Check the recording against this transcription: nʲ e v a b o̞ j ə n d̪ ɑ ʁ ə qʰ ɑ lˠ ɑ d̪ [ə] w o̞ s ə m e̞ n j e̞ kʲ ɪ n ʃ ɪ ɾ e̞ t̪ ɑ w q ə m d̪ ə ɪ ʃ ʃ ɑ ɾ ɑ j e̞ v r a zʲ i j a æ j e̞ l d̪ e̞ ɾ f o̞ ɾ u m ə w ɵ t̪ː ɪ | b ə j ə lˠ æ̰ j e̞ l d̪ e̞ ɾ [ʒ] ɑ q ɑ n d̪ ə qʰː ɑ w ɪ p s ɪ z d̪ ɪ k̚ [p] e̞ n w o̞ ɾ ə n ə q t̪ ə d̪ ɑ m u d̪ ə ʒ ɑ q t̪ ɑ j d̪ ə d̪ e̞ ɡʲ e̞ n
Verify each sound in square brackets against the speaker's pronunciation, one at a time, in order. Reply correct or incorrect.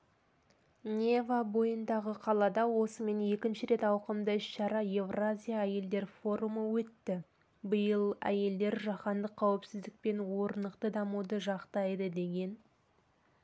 incorrect: ɑ, correct, correct

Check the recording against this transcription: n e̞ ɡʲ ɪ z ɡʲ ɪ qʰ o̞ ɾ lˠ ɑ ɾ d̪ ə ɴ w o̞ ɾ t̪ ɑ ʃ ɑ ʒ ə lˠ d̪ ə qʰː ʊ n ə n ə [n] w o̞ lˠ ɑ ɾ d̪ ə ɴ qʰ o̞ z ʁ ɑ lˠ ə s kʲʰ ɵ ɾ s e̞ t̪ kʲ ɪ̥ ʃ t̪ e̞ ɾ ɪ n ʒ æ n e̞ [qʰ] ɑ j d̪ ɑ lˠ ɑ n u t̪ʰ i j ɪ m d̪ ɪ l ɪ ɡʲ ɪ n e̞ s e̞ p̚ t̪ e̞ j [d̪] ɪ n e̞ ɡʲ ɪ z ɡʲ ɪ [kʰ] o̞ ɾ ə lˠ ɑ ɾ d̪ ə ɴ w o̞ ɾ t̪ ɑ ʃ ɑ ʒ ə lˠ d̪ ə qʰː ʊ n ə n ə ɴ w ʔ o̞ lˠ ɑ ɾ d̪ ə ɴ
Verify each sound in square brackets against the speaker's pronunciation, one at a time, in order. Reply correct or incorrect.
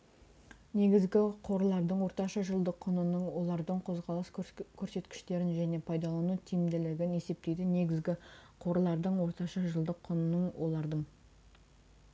incorrect: ɴ, incorrect: pʰ, correct, incorrect: qʰ

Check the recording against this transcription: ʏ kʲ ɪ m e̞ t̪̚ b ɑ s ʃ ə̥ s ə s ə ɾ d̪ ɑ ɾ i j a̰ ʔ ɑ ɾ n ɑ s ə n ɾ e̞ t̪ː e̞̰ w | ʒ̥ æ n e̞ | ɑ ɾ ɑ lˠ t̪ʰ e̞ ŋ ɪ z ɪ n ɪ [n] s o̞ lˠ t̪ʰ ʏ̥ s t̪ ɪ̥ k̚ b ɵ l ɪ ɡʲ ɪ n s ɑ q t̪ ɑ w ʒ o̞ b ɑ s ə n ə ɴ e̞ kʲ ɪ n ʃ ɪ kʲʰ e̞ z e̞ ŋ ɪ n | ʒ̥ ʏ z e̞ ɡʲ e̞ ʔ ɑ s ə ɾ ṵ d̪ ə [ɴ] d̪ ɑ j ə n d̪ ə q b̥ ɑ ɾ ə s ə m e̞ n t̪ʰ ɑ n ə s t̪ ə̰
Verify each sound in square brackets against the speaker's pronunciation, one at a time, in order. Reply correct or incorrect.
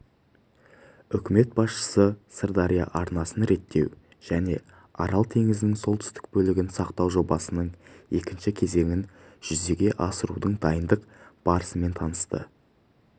incorrect: ŋ, correct

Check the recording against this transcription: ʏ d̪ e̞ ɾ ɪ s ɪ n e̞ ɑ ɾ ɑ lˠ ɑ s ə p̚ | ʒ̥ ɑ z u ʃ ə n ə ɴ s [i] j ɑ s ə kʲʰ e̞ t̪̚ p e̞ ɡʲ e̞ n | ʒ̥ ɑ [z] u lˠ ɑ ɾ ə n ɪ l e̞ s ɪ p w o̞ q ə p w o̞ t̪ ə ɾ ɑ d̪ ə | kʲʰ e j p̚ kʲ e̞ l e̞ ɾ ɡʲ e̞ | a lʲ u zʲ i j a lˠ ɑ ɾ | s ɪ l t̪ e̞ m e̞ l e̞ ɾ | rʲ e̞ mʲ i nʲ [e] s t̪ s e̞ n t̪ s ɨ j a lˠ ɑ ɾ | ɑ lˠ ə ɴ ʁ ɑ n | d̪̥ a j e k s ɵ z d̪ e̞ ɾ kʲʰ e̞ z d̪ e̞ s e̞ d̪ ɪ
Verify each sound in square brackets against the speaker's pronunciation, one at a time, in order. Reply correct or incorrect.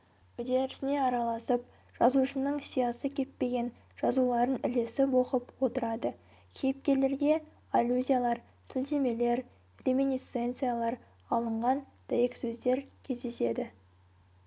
correct, correct, incorrect: i

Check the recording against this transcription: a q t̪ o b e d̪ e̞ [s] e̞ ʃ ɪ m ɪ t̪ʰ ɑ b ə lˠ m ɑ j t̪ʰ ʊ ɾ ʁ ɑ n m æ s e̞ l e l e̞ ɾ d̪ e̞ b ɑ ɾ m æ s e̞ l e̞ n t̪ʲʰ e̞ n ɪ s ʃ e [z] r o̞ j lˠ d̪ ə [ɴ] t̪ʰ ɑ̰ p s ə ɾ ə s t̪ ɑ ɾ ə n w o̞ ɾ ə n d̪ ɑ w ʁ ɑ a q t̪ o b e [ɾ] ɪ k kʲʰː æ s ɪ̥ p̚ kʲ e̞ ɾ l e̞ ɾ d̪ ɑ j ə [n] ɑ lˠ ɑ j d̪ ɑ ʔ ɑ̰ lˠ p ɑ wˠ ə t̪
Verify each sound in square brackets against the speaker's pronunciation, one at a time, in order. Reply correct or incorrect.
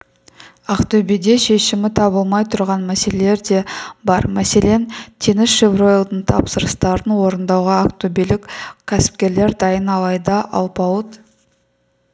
incorrect: ʃ, incorrect: v, correct, incorrect: l, correct

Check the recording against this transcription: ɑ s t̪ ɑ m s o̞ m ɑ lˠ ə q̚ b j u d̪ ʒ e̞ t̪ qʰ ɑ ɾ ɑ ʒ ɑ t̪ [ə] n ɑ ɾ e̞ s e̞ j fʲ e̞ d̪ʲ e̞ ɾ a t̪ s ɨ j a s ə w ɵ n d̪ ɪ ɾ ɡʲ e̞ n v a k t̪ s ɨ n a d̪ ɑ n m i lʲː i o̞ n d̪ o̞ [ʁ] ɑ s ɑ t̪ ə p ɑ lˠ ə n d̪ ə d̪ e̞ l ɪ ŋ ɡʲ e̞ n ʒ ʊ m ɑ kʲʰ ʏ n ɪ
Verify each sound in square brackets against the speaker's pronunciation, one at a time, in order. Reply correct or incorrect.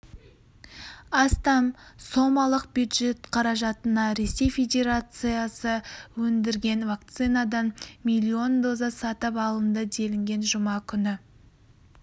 correct, incorrect: z

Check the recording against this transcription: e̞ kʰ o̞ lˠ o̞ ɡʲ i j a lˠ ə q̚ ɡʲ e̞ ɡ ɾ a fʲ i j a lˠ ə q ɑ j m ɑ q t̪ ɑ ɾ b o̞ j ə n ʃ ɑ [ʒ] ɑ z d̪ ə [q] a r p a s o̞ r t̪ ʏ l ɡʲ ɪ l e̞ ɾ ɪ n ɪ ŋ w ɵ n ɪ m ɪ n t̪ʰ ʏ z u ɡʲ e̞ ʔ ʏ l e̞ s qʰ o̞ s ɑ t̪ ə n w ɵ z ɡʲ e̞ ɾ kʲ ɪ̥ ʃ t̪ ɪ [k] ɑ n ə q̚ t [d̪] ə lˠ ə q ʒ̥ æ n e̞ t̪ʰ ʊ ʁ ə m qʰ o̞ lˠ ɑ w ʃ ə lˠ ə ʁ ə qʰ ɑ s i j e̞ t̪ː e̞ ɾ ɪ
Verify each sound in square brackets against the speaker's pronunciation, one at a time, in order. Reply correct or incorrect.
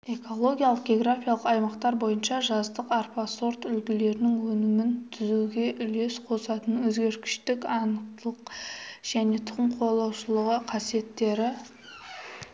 correct, correct, correct, incorrect: t̪

